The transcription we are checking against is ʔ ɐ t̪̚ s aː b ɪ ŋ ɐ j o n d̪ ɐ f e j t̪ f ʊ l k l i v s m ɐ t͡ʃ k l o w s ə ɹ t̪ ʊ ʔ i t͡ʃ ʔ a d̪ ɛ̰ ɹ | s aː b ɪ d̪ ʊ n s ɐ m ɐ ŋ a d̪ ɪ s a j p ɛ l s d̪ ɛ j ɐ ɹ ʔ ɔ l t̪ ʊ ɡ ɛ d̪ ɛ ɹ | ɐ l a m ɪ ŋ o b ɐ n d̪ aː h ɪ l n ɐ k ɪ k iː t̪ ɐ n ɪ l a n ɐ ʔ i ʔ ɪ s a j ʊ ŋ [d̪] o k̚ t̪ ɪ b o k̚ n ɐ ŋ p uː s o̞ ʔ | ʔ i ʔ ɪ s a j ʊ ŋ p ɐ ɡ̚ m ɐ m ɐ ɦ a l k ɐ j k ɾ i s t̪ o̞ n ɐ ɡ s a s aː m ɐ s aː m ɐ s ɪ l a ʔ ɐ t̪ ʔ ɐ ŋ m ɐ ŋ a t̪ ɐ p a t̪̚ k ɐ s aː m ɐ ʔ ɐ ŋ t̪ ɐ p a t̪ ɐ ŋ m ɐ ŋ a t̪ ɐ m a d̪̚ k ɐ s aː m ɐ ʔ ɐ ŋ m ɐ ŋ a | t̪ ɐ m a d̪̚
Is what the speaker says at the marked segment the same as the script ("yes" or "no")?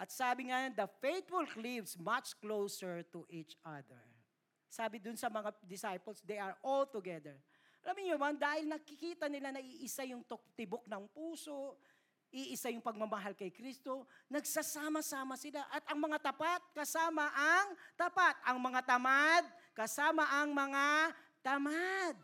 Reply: no